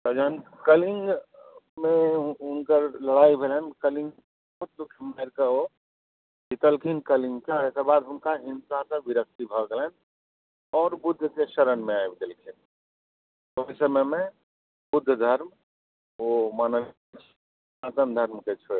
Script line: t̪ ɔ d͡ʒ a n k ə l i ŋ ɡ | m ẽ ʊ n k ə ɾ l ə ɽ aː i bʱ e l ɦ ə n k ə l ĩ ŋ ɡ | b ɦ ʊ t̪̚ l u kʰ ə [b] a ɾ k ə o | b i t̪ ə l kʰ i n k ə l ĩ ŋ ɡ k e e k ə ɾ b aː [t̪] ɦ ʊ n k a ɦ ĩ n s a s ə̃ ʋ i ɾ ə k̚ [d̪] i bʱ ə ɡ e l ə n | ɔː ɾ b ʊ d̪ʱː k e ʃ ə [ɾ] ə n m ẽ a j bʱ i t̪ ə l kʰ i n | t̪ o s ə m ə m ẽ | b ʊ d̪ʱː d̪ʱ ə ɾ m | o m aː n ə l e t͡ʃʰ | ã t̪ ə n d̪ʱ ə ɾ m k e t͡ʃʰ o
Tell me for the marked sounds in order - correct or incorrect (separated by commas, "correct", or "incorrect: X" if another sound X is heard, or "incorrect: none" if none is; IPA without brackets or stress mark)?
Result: incorrect: m, incorrect: d̪, incorrect: t̪, correct